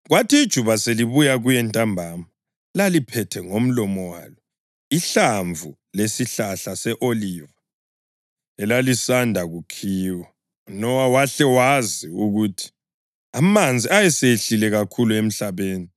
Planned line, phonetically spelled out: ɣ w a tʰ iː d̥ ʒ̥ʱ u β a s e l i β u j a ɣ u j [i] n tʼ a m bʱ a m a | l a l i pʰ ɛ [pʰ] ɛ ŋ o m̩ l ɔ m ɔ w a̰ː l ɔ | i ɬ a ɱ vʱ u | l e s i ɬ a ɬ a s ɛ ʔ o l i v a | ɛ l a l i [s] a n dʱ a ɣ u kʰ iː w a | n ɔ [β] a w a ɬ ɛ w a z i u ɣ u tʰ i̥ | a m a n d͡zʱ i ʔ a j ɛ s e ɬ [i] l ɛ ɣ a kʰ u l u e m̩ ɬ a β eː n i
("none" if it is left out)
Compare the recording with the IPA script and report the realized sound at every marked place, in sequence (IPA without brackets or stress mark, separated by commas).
ɛ, tʰ, s, w, i